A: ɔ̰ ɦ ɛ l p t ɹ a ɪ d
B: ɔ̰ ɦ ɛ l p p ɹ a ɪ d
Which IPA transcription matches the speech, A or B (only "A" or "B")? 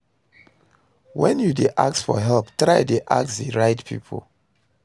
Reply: A